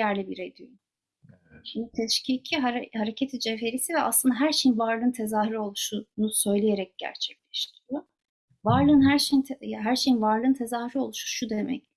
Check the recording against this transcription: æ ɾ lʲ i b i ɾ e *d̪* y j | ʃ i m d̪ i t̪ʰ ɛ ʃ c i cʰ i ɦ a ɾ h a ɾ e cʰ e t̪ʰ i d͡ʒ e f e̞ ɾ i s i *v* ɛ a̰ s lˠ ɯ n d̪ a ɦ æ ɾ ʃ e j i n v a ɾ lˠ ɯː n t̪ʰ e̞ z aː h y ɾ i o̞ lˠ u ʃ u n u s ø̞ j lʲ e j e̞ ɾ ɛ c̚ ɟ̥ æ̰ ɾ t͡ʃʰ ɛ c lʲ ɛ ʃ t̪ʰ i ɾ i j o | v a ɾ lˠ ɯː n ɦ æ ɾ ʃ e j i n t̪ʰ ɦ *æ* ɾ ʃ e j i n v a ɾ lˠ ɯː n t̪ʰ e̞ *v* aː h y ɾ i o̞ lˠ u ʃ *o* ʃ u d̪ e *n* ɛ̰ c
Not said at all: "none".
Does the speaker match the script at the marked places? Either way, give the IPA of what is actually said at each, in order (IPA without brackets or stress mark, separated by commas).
d̪, v, æ, z, u, m